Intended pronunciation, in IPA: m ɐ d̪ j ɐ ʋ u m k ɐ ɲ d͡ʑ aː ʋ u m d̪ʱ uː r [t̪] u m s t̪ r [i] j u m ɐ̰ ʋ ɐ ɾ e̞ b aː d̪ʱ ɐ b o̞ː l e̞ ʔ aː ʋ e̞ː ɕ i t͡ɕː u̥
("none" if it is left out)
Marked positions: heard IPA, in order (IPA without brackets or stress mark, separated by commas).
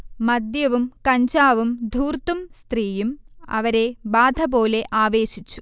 t̪, iː